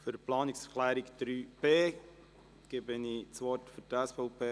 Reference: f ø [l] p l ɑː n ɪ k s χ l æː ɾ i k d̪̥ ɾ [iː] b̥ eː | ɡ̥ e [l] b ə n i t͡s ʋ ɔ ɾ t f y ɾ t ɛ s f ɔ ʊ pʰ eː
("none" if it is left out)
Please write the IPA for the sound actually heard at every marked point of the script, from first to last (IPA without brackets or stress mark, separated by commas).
ɾ, yː, none